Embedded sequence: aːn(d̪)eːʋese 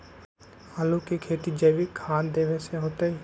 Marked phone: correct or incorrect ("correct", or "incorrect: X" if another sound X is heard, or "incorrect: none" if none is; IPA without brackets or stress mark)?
correct